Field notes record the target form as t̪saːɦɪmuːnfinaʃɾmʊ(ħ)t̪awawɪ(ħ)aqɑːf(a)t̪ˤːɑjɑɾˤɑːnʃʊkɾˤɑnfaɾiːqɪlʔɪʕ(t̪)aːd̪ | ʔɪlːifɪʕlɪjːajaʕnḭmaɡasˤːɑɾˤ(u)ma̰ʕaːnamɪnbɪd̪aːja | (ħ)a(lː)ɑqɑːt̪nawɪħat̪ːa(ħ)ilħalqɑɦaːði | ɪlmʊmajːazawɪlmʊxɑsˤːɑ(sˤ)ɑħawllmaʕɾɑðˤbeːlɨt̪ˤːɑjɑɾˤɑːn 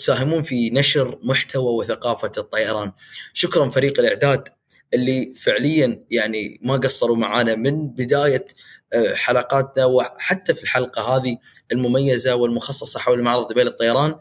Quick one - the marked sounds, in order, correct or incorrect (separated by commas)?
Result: correct, incorrect, correct, incorrect, correct, correct, incorrect, incorrect, correct